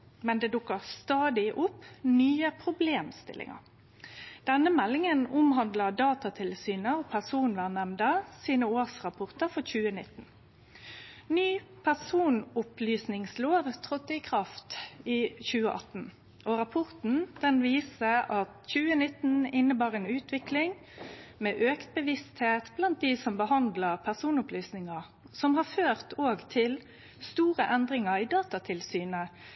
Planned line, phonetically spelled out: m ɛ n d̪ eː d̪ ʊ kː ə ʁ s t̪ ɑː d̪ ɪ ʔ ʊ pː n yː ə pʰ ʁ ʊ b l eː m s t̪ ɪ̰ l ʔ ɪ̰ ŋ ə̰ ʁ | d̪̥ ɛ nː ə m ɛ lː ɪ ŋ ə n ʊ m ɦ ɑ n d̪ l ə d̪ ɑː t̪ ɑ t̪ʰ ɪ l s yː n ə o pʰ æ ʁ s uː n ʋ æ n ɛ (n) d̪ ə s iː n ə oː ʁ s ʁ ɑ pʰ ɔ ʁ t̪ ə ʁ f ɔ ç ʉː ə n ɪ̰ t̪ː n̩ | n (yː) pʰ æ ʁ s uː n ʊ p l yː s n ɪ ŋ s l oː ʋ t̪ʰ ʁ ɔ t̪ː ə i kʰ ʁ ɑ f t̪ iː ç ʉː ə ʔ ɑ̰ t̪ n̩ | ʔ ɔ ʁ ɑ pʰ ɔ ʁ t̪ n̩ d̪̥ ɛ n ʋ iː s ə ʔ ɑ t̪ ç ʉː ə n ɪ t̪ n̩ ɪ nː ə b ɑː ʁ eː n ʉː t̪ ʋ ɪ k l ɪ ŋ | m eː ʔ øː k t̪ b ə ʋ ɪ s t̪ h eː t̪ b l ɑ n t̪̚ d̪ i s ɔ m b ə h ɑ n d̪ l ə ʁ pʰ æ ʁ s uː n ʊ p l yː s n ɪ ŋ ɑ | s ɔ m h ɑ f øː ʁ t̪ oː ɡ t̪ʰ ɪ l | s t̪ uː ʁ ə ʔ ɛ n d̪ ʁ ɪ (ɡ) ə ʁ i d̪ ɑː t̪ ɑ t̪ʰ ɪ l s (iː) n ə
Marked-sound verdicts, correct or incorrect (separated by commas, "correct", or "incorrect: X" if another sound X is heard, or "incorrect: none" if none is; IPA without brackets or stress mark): incorrect: m, correct, incorrect: ŋ, incorrect: yː